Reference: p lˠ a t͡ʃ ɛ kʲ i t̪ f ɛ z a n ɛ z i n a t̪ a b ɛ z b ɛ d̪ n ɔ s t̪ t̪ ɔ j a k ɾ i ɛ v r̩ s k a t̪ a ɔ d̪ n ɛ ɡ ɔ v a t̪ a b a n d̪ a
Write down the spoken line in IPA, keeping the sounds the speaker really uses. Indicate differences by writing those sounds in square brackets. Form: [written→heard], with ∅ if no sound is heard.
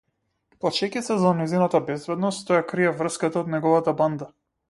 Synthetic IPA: p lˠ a t͡ʃ ɛ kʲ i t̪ [f→s] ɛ z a n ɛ z i n a t̪ a b ɛ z b ɛ d̪ n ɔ s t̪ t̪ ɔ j a k ɾ i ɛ v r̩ s k a t̪ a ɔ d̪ n ɛ ɡ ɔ v a t̪ a b a n d̪ a